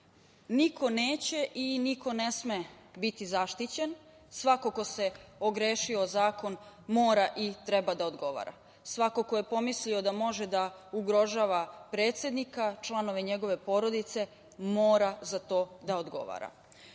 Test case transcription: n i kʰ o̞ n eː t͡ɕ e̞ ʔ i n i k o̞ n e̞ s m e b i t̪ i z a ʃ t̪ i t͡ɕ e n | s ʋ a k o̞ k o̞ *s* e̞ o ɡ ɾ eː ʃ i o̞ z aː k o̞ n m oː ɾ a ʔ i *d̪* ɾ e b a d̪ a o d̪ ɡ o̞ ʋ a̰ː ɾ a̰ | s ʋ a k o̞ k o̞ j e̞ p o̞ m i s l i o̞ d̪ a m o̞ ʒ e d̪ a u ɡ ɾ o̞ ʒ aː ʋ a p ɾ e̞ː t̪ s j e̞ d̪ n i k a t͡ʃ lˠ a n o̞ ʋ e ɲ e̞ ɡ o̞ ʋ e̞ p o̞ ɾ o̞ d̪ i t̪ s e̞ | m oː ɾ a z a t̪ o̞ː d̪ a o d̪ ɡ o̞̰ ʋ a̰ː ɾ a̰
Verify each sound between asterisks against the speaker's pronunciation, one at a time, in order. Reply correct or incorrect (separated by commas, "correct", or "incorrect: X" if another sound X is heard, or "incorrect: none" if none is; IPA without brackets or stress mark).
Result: correct, incorrect: t̪